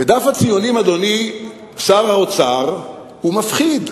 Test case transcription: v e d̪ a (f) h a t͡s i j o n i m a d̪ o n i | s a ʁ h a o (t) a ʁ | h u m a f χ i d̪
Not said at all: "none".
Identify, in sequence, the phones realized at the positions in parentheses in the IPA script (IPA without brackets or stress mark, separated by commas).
f, t͡s